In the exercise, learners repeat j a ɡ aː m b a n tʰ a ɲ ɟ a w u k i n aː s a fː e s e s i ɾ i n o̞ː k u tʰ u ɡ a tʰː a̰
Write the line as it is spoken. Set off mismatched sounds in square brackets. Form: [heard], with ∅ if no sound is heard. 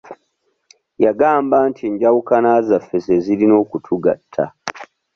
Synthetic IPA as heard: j a ɡ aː m b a n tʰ [i] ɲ ɟ a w u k [a] n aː [z] a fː e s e [z] i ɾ i n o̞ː k u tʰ u ɡ a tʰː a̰